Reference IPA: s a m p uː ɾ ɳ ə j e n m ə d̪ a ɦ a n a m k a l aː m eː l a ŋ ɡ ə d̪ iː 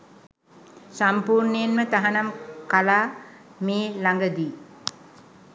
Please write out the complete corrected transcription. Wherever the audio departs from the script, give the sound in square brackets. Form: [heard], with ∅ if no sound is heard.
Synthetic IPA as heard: s a m p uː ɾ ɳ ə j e n m ə [t̪] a ɦ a n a m k a l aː m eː l a ŋ ɡ ə d̪ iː